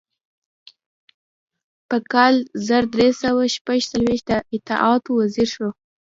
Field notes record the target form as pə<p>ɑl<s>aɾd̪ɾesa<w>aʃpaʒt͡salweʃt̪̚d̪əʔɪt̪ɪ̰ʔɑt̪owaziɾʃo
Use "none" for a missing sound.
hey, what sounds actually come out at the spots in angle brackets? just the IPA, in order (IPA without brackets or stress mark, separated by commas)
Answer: k, z, w